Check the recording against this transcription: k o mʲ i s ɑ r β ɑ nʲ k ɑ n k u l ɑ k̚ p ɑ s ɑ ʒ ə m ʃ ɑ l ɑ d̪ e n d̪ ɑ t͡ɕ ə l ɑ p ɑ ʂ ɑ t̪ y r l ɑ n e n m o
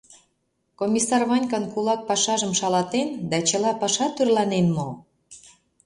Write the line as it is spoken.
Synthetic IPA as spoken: k o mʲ i s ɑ r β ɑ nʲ k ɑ n k u l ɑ k̚ p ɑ ʃ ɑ ʒ ə m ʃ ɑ l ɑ t̪ e n d̪ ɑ t͡ɕ ə l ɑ p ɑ ʃ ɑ t̪ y r l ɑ n e n m o